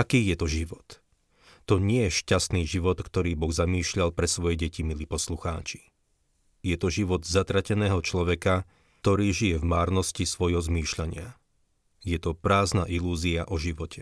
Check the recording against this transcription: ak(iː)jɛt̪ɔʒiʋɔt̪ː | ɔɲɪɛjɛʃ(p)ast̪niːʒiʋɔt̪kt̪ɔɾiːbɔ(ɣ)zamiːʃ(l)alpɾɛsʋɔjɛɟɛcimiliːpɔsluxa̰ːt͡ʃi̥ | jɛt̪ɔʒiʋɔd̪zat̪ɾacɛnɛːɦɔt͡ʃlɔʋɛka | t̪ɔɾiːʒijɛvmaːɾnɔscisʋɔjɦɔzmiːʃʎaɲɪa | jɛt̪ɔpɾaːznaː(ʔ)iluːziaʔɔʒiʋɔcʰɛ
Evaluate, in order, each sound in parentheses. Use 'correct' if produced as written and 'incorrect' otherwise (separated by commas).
correct, incorrect, correct, incorrect, correct